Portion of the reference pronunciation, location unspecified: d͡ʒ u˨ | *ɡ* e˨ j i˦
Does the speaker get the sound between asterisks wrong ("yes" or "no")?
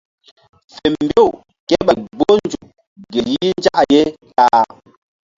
no